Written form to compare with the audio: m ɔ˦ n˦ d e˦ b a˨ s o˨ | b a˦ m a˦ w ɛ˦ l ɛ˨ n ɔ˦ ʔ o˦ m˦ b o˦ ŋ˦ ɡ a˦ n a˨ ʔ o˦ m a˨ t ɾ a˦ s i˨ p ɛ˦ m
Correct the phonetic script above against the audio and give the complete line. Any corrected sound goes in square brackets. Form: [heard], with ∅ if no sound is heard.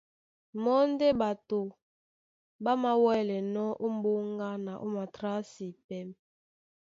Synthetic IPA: m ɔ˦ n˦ d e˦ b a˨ [t] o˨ | b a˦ m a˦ w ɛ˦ l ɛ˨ n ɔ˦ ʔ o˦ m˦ b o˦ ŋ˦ ɡ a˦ n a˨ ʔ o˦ m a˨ t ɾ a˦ s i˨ p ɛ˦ m

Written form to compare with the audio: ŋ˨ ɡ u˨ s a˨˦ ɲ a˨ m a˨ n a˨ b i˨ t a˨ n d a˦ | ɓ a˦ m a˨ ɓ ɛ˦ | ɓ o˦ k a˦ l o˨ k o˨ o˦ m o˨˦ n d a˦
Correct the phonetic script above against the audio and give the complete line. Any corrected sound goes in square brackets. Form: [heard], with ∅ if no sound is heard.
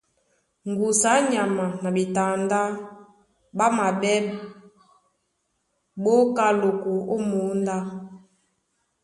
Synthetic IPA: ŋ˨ ɡ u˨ s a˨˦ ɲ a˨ m a˨ n a˨ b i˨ t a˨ n d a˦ | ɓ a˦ m a˨ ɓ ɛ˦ | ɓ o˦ k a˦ l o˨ k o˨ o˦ m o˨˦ n d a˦

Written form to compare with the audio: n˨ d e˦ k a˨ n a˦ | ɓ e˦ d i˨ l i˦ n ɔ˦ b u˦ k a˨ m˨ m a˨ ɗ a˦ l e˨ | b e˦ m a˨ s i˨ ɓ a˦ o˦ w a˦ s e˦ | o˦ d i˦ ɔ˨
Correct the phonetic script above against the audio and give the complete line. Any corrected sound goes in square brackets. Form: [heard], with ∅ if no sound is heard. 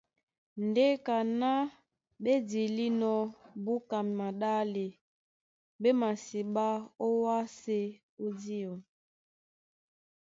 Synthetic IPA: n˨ d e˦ k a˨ n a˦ | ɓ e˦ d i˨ l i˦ n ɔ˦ b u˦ k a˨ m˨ m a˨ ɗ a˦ l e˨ | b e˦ m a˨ s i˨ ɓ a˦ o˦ w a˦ s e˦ | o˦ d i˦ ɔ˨

